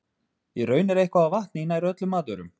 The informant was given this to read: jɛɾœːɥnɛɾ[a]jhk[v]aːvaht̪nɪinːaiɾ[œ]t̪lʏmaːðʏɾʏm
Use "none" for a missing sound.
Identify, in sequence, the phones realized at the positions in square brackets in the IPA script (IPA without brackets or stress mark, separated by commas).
e, v, œ